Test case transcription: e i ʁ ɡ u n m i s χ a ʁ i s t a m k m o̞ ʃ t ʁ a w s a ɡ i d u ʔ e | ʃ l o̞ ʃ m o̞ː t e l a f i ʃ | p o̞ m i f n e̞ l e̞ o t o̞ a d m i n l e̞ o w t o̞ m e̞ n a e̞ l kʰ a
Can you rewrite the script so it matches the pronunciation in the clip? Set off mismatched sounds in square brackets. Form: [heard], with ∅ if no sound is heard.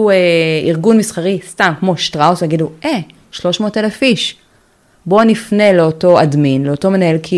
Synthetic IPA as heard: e i ʁ ɡ u n m i s χ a ʁ i s t a m k m o̞ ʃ t ʁ a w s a ɡ i d u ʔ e | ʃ l o̞ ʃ m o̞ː t e l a f i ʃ | [b] o̞ [n] i f n e̞ l e̞ o t o̞ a d m i n l e̞ o [∅] t o̞ m e̞ n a e̞ l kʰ [i]